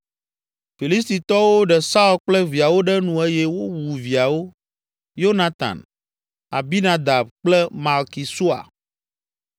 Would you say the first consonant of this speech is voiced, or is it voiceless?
voiceless